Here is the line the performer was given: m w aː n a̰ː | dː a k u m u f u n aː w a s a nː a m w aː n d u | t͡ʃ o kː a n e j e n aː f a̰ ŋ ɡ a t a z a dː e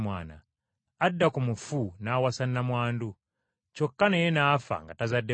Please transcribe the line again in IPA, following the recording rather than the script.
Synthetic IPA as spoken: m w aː n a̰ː | dː a k u m u f u n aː w a s a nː a m w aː n d u | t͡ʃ o kː a n e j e n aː f a̰ ŋ ɡ a t a z a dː e